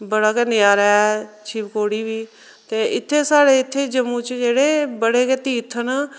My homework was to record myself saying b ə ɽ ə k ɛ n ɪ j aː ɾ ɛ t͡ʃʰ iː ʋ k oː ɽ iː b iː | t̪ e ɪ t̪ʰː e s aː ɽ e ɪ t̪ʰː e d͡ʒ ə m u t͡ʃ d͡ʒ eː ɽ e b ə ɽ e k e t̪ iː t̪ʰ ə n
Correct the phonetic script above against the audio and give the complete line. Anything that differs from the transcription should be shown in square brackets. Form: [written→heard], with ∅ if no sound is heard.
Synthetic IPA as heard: b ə ɽ [ə→a] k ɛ n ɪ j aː ɾ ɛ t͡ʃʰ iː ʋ k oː ɽ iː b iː | t̪ e ɪ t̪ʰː e s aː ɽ e ɪ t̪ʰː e d͡ʒ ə m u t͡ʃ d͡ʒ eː ɽ e b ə ɽ e k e t̪ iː t̪ʰ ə n